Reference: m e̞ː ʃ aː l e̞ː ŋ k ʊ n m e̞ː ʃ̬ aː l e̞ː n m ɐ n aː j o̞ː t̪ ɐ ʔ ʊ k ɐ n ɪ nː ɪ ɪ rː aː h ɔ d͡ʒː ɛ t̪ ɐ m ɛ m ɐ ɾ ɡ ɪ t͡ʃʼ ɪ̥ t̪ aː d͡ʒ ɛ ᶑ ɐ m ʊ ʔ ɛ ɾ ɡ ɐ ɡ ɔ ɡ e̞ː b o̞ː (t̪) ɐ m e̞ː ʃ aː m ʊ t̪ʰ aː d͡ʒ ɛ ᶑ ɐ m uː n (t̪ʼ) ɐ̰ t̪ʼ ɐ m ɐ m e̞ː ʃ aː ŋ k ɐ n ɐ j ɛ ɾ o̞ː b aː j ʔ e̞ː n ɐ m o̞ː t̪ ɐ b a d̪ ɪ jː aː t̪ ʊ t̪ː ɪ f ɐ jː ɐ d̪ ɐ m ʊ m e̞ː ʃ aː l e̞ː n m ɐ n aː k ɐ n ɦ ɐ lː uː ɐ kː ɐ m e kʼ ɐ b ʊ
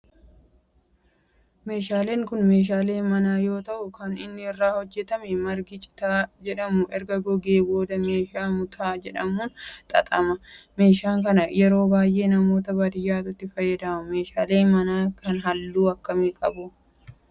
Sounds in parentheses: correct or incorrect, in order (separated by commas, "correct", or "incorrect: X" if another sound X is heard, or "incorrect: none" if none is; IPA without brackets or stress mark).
incorrect: d̪, correct